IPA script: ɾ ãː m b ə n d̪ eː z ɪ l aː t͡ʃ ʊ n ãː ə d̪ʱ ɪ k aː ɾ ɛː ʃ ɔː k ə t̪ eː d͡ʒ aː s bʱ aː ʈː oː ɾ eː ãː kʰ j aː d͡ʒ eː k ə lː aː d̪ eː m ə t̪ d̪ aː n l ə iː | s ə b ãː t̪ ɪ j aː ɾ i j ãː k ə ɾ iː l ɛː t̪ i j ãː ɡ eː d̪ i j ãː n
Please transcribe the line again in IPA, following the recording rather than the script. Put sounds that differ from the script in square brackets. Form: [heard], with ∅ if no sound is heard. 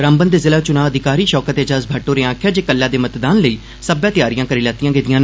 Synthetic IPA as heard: ɾ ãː m b ə n d̪ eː z ɪ l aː t͡ʃ ʊ n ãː ə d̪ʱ ɪ k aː ɾ [iː] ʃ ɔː k ə t̪ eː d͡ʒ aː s bʱ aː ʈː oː ɾ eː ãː kʰ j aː d͡ʒ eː k ə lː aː d̪ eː m ə t̪ d̪ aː n l ə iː | s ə b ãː t̪ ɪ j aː ɾ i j ãː k ə ɾ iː l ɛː t̪ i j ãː ɡ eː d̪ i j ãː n